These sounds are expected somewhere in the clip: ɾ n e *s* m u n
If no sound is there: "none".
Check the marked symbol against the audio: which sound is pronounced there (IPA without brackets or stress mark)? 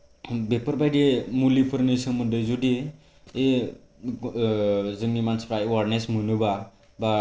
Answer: s